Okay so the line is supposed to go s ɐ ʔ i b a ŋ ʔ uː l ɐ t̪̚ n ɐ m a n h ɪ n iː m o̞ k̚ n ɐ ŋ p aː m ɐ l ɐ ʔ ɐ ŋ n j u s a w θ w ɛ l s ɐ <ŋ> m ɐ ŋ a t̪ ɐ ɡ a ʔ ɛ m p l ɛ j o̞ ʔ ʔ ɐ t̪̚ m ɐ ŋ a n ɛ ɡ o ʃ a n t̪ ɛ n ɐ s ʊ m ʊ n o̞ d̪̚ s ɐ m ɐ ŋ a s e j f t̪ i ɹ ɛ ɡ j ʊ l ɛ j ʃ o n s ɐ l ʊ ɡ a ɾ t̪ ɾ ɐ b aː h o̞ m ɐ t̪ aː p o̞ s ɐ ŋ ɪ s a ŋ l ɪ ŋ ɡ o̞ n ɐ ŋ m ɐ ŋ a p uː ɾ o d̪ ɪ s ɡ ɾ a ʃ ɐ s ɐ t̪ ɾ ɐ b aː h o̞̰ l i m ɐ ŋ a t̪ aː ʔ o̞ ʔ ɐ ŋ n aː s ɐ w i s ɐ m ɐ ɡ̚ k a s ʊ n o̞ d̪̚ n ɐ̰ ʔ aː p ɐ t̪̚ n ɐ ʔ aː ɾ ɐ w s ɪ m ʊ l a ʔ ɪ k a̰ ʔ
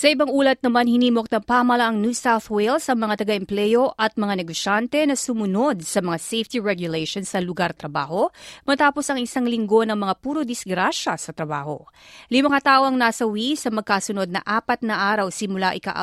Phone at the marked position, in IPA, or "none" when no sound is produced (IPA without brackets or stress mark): ŋ